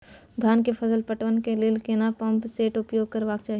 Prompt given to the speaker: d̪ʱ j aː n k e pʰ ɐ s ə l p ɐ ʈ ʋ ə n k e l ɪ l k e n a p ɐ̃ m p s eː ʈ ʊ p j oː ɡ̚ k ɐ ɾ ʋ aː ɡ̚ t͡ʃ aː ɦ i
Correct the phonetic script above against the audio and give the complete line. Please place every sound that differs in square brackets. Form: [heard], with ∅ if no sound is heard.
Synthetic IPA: d̪ʱ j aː n k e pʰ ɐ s ə l p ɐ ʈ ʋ ə n k e l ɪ l k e n a p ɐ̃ m p s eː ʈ ʊ p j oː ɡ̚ k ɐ ɾ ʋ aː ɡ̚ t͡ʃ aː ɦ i